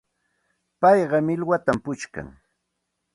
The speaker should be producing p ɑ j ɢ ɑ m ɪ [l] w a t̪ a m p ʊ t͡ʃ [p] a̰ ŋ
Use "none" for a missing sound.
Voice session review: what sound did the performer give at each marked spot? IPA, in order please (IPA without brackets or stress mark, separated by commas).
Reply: l, k